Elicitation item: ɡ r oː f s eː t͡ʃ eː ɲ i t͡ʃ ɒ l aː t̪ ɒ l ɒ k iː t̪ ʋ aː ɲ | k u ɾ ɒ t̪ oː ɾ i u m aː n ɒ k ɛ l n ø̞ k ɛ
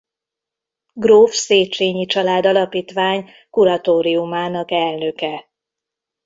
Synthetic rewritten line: ɡ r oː f s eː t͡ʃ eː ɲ i t͡ʃ ɒ l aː d̪ ɒ l ɒ p iː t̪ ʋ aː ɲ | k u ɾ ɒ t̪ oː ɾ i u m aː n ɒ k ɛ l n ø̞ k ɛ